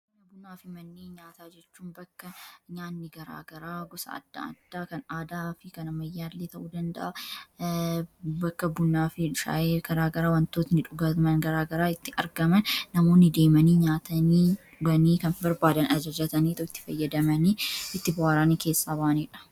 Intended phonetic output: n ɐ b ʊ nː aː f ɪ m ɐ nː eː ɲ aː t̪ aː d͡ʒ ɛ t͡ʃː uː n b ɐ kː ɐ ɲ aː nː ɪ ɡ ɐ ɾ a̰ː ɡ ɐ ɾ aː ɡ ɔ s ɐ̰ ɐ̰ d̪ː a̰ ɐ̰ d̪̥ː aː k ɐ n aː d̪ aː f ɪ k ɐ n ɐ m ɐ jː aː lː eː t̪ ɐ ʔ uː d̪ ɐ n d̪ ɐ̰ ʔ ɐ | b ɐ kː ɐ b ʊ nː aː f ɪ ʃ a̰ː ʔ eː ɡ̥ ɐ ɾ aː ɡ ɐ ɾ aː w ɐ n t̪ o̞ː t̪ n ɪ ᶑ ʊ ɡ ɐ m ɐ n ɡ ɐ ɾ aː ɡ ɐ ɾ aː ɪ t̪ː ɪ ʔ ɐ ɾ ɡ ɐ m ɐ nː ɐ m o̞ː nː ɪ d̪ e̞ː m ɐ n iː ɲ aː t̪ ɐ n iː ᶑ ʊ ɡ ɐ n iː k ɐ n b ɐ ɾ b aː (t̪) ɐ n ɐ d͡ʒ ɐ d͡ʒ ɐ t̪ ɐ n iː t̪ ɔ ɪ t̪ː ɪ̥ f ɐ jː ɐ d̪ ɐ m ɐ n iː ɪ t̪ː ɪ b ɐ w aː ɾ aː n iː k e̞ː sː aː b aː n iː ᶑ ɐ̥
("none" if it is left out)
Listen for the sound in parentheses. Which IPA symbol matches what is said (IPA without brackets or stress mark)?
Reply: d̪